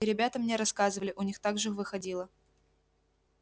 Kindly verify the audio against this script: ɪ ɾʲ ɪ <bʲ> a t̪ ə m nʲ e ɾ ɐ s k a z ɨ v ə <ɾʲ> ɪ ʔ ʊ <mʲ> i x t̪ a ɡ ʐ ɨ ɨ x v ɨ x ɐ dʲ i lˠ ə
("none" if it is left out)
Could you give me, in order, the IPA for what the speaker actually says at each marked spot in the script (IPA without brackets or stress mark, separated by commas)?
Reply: bʲ, lʲ, nʲ